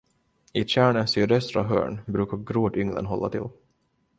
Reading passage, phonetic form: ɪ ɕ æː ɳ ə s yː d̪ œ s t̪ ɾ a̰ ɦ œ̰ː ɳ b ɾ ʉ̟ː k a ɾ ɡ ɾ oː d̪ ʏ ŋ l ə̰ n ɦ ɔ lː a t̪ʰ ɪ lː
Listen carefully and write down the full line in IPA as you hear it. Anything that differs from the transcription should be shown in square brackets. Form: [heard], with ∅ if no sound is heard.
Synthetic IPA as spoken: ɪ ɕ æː ɳ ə s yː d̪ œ s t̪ ɾ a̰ ɦ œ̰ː ɳ b ɾ ʉ̟ː k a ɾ ɡ ɾ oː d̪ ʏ ŋ l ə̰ n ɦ ɔ lː a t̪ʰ ɪ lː